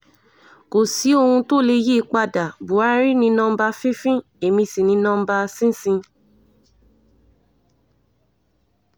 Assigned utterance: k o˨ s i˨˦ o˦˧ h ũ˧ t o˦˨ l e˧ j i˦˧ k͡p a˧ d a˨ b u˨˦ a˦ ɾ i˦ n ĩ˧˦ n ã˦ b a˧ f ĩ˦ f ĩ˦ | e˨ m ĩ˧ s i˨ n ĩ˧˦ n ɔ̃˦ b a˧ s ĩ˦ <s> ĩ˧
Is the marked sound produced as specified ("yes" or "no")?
yes